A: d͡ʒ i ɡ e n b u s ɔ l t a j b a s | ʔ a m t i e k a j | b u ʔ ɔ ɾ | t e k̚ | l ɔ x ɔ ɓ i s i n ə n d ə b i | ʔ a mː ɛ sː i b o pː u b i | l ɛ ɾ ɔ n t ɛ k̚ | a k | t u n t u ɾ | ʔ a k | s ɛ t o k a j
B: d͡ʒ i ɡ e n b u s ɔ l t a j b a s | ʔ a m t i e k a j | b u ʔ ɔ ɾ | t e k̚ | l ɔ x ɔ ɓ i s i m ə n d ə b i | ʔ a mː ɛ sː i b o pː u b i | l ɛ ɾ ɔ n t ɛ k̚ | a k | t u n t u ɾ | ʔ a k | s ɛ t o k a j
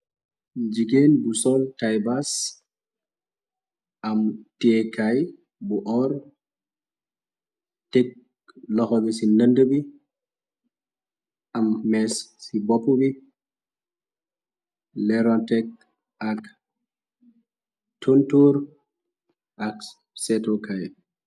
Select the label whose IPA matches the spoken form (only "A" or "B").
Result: A